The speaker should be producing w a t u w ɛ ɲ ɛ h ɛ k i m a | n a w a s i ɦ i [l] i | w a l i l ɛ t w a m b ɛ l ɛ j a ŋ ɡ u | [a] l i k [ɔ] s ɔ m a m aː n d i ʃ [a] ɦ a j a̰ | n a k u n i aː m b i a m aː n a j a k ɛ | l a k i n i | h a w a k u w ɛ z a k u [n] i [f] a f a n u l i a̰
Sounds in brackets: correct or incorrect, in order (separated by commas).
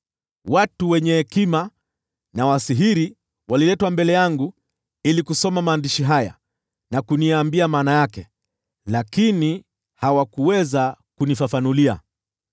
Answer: incorrect, incorrect, incorrect, incorrect, correct, correct